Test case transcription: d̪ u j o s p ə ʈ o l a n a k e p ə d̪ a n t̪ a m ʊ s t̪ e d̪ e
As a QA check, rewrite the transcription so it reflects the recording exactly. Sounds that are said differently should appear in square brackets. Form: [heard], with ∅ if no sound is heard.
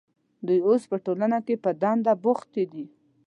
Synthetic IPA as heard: d̪ u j o s p ə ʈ o l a n a k e p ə d̪ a n [d̪] a [b] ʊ [x] t̪ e d̪ [i]